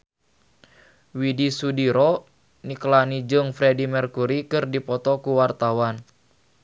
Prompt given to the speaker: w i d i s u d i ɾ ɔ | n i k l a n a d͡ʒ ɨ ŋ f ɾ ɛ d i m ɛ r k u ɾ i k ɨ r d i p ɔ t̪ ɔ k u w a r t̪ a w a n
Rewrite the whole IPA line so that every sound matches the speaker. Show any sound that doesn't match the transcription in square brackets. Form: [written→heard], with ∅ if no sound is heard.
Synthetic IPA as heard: w i d i s u d i ɾ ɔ | n i k l a n [a→i] d͡ʒ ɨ ŋ f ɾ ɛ d i m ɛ r k u ɾ i k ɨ r d i p ɔ t̪ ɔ k u w a r t̪ a w a n